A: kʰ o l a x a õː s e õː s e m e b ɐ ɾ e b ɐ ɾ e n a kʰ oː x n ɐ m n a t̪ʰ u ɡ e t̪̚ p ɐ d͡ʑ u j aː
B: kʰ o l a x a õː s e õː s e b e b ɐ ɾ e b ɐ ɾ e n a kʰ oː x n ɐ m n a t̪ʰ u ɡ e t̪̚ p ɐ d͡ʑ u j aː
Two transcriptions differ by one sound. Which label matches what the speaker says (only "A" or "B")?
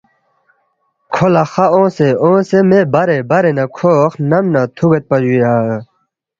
A